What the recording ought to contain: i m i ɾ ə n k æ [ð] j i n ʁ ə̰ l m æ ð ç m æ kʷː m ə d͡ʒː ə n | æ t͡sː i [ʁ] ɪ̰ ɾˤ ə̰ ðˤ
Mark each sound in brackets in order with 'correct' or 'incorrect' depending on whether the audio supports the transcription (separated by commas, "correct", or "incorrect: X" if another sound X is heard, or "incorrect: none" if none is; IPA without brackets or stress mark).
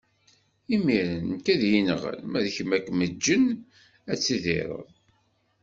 correct, incorrect: ð